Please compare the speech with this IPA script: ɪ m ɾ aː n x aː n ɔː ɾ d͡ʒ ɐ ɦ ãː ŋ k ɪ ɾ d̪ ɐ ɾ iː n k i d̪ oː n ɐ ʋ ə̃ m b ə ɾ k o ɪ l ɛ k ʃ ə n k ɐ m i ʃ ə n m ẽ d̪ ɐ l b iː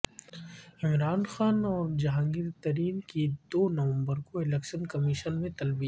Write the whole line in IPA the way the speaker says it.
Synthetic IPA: ɪ m ɾ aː n x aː n ɔː ɾ d͡ʒ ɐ ɦ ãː ŋ ɡ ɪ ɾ t̪ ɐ ɾ iː n k i d̪ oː n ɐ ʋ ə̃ m b ə ɾ k o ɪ l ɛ k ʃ ə n k ɐ m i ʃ ə n m ẽ t̪ ɐ l b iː